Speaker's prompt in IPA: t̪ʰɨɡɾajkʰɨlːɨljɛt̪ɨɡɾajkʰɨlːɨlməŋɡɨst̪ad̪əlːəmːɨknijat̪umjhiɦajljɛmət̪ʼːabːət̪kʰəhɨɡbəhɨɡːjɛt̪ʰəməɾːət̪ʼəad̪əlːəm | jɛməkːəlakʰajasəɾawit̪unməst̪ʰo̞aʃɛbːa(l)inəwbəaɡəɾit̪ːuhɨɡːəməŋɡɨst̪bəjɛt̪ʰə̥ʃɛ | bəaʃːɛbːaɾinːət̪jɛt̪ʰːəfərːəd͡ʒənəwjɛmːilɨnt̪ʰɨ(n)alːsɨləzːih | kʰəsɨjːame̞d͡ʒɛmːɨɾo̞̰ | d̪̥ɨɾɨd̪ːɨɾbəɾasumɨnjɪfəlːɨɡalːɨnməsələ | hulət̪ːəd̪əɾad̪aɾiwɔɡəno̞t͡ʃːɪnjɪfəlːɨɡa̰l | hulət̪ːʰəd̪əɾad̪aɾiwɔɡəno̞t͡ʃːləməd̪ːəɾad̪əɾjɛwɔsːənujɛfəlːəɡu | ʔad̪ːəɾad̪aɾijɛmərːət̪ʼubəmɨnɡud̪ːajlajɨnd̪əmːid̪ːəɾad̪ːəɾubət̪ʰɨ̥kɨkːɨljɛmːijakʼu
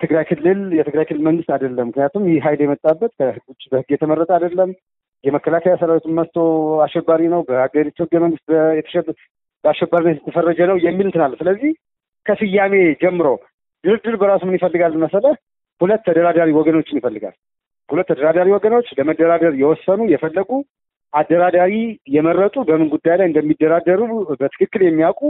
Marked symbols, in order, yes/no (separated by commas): no, yes